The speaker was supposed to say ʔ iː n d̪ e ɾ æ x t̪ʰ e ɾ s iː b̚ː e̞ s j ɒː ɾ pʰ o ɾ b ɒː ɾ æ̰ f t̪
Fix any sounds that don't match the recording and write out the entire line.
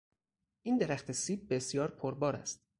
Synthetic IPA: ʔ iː n d̪ e ɾ æ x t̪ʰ e s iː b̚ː e̞ s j ɒː ɾ pʰ o ɾ b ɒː ɾ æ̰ s t̪

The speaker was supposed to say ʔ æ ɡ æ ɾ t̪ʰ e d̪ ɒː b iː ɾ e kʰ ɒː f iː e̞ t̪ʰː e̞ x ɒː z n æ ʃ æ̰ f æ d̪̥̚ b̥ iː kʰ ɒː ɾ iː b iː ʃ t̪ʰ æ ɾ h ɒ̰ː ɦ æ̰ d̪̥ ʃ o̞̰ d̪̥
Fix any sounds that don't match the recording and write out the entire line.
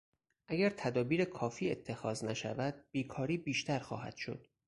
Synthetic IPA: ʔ æ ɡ æ ɾ t̪ʰ æ d̪ ɒː b iː ɾ e kʰ ɒː f iː e̞ t̪ʰː e̞ x ɒː z n æ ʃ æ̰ v æ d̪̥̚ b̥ iː kʰ ɒː ɾ iː b iː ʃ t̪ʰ æ ɾ x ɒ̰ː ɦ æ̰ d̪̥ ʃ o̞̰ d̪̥

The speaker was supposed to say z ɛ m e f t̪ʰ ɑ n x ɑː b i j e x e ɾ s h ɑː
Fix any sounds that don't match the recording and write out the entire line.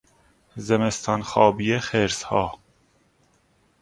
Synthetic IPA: z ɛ m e s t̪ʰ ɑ n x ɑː b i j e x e ɾ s h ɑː

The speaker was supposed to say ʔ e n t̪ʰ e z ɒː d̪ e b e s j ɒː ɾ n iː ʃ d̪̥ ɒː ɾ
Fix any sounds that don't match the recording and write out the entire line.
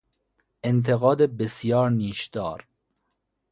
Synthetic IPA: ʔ e n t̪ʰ e ɣ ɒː d̪ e b e s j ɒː ɾ n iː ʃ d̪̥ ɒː ɾ

